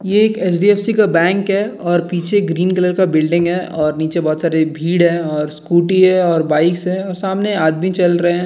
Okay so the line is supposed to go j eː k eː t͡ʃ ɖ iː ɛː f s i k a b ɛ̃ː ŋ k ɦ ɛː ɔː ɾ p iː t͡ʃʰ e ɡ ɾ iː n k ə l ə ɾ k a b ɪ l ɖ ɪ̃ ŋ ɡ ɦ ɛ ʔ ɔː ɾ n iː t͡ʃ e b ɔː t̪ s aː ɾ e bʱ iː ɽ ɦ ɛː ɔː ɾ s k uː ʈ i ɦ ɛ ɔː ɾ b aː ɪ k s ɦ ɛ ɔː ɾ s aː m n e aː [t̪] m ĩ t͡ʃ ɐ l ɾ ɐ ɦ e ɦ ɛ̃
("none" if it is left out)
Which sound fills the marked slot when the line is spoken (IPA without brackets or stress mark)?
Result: d̪